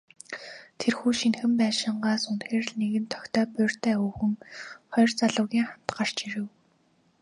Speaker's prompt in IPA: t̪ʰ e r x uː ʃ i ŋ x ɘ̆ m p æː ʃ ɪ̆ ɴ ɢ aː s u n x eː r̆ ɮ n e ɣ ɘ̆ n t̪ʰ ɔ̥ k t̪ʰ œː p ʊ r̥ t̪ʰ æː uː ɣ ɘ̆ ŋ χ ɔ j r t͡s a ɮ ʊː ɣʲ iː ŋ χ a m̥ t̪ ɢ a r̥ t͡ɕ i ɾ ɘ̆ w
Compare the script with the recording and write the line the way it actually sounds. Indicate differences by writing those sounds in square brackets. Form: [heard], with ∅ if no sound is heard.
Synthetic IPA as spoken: t̪ʰ e r x uː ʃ i [n] x ɘ̆ m p æː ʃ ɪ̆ ɴ ɢ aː s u n x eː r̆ ɮ n e ɣ ɘ̆ n t̪ʰ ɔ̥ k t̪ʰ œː p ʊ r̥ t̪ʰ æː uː [x] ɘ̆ ŋ χ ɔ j r t͡s a ɮ ʊː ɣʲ iː ŋ χ a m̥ t̪ ɢ a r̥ t͡ɕ i ɾ ɘ̆ w

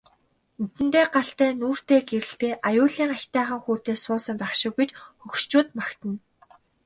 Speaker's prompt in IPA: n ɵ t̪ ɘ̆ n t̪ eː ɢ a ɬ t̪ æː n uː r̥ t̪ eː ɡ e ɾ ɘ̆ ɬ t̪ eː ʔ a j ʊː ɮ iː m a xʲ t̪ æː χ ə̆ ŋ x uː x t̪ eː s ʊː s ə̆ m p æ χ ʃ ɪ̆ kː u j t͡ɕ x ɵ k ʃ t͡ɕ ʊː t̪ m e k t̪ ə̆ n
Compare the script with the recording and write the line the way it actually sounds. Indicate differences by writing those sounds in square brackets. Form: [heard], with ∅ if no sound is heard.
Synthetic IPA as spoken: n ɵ t̪ ɘ̆ n t̪ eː ɢ a ɬ t̪ æː n uː r̥ t̪ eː ɡ e ɾ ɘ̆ ɬ t̪ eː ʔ a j ʊː ɮ iː [ŋ] a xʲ t̪ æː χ ə̆ ŋ x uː [∅] t̪ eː s ʊː s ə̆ m p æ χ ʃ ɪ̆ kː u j t͡ɕ x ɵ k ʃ t͡ɕ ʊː t̪ m [a] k t̪ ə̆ n

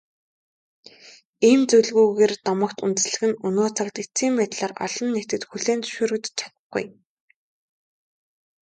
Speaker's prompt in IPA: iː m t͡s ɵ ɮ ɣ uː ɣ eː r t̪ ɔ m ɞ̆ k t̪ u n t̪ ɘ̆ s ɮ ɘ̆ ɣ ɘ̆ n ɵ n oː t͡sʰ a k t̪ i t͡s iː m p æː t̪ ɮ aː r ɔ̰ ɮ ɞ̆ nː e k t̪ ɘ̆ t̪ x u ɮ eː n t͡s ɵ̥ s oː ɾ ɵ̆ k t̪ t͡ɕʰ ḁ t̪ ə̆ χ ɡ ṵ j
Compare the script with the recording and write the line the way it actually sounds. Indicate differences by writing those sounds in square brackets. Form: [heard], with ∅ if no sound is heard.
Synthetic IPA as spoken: iː m t͡s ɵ ɮ ɣ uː ɣ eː r t̪ ɔ m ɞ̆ k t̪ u n t̪ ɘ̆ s ɮ ɘ̆ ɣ ɘ̆ n ɵ n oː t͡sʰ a k t̪ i t͡s iː m p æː t̪ ɮ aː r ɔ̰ ɮ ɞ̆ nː e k t̪ ɘ̆ t̪ x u ɮ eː n t͡s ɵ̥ [ʃ] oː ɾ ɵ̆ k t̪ t͡ɕʰ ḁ t̪ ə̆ χ ɡ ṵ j

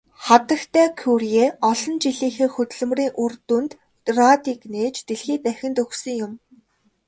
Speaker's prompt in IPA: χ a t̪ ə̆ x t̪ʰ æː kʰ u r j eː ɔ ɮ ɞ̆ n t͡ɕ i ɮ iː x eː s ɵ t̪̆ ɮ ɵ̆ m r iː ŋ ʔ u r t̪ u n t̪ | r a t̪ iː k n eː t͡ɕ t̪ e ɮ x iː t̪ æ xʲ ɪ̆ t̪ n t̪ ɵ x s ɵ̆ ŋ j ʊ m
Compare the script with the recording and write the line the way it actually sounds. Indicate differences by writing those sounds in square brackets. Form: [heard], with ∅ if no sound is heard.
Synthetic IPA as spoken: χ a t̪ ə̆ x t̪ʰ æː kʰ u r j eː ɔ ɮ ɞ̆ n t͡ɕ i ɮ iː x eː [x] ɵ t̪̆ ɮ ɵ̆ m r iː ŋ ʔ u r t̪ u n t̪ | r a t̪ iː k n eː t͡ɕ t̪ e ɮ x iː t̪ æ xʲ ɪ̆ [∅] n t̪ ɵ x s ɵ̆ ŋ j ʊ m

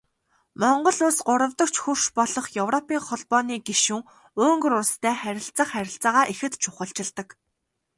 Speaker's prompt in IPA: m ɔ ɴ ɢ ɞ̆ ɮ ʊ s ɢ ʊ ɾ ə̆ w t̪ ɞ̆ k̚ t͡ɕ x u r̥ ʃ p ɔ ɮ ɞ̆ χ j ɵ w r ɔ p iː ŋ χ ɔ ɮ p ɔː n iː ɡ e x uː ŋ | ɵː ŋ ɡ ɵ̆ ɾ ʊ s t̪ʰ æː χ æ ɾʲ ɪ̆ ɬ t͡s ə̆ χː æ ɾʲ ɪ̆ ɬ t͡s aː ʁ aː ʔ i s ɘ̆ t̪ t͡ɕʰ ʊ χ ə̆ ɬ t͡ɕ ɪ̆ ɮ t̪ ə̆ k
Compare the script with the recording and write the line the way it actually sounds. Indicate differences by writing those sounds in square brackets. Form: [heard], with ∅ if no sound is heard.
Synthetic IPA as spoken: m ɔ ɴ ɢ ɞ̆ ɮ ʊ s ɢ ʊ ɾ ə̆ w t̪ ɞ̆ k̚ t͡ɕ x u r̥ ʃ p ɔ ɮ ɞ̆ χ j ɵ w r ɔ p iː ŋ χ ɔ ɮ p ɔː n iː ɡ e [ʃ] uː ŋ | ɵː ŋ ɡ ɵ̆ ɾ ʊ s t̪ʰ æː χ æ ɾʲ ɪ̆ ɬ t͡s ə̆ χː æ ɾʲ ɪ̆ ɬ t͡s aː ʁ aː ʔ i [x] ɘ̆ t̪ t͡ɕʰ ʊ χ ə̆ ɬ t͡ɕ ɪ̆ ɮ t̪ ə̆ k

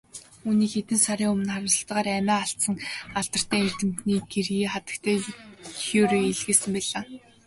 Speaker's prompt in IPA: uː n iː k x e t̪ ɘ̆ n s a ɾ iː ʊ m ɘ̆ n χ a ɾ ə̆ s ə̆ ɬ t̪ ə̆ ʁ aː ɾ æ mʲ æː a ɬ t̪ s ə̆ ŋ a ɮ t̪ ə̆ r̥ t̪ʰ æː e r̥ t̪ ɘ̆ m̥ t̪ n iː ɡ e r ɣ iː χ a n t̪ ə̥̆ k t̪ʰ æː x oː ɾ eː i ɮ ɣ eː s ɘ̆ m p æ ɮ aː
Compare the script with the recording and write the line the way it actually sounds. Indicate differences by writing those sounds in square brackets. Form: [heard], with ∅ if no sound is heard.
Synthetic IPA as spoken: uː n iː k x e t̪ ɘ̆ n s a ɾ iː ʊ m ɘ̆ n χ a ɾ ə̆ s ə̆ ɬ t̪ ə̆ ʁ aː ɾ æ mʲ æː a ɬ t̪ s ə̆ ŋ a ɮ t̪ ə̆ r̥ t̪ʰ æː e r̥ t̪ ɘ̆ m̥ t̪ n iː ɡ e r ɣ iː χ a [∅] t̪ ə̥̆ k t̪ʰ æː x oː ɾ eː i ɮ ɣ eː s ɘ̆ m p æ ɮ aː

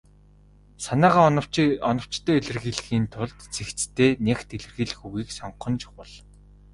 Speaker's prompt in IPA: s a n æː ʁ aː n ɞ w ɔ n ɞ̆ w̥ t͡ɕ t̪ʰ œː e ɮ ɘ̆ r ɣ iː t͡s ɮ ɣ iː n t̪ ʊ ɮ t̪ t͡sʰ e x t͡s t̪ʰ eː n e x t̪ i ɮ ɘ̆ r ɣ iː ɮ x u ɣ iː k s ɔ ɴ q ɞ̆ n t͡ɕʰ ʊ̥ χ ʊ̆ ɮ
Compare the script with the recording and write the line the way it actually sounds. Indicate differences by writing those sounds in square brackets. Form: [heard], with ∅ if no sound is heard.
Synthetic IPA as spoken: s a n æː ʁ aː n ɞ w ɔ n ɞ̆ w̥ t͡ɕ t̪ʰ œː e ɮ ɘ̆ r ɣ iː [∅] ɮ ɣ iː n [t̪ʰ] ʊ ɮ t̪ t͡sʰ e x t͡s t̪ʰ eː n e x t̪ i ɮ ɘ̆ r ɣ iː ɮ x u ɣ iː k s ɔ ɴ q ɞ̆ n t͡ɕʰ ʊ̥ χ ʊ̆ ɮ

